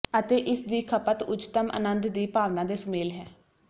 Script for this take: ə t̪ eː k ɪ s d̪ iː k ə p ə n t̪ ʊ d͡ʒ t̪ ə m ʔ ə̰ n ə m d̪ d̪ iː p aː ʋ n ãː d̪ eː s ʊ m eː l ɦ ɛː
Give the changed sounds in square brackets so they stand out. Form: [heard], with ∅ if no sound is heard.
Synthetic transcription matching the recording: ə t̪ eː [ʔ] ɪ s d̪ iː [kʰ] ə p ə [∅] t̪ ʊ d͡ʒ t̪ ə m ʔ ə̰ n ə [n] d̪ d̪ iː p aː ʋ n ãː d̪ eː s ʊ m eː l ɦ ɛː